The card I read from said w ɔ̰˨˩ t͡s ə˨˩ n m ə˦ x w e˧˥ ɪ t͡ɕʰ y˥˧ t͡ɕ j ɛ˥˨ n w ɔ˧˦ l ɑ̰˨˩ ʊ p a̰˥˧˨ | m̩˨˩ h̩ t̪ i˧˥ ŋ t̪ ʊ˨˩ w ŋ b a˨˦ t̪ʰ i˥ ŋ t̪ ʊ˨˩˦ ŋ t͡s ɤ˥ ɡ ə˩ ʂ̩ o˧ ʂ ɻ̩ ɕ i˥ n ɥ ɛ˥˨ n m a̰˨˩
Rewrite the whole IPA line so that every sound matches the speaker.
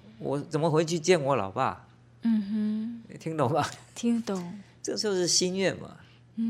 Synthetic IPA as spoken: w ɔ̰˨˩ t͡s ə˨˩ n m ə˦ x w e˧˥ ɪ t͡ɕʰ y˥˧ t͡ɕ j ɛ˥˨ n w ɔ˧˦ l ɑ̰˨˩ ʊ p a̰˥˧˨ | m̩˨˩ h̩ t̪ʰ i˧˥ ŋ t̪ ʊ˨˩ ŋ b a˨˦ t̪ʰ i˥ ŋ t̪ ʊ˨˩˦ ŋ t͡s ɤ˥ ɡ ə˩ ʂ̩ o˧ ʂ ɻ̩ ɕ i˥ n ɥ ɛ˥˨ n m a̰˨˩